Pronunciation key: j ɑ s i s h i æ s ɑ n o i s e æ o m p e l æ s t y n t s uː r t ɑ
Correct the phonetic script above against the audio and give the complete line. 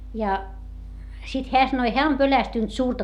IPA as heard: j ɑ s i t h e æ s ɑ n o i h e æ o m p ø l æ s t y n t s uː r t ɑ